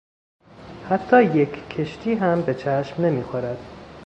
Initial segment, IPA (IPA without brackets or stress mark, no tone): h